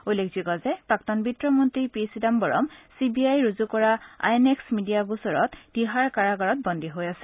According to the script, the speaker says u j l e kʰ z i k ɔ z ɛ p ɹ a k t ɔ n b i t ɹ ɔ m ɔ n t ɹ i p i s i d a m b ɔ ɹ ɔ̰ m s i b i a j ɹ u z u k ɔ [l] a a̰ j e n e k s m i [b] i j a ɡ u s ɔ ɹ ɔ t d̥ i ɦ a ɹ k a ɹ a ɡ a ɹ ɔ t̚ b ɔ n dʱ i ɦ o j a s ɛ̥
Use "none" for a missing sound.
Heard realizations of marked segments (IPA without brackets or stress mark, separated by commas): ɹ, d